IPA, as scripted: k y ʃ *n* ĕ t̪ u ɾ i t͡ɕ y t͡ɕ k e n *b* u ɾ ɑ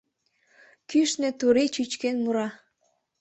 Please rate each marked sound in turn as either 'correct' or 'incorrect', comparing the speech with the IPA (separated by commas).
correct, incorrect